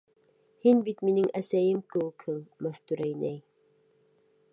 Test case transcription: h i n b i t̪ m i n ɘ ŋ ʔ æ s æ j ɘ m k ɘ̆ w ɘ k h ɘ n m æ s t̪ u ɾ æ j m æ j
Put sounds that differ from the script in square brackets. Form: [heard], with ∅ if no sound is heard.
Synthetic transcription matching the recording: h i n b i t̪ m i n ɘ ŋ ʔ æ s æ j ɘ m k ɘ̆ w ɘ k h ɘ [ŋ] m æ s t̪ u ɾ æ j [n] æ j